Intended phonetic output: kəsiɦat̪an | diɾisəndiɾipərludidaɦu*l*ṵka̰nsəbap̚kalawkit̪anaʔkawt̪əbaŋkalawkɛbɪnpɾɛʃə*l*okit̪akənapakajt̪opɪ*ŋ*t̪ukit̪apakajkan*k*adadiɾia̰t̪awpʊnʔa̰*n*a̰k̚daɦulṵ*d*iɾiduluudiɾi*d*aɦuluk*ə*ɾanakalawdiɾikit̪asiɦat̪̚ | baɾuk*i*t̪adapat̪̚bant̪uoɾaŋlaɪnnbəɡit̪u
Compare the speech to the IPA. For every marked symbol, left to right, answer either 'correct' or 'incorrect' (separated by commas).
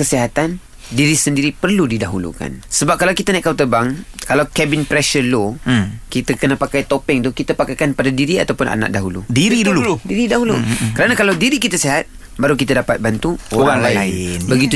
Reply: correct, correct, correct, incorrect, correct, correct, correct, correct, correct